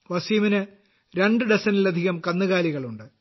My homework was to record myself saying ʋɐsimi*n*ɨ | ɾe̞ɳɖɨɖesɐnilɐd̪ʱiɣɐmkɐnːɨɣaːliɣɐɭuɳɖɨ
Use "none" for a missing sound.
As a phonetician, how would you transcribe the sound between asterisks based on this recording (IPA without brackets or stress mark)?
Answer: n